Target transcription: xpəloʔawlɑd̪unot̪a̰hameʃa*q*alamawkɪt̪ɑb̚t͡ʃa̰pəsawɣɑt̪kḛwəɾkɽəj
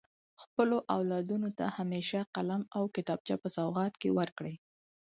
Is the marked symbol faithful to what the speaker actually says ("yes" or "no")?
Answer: yes